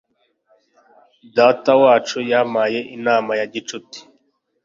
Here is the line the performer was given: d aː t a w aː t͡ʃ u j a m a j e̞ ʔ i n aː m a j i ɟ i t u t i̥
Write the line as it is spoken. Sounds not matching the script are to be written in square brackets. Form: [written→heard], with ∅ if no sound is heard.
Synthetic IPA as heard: d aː t a w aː t͡ʃ u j a m a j e̞ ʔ i n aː m a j [i→a] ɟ i [t→t͡ʃ] u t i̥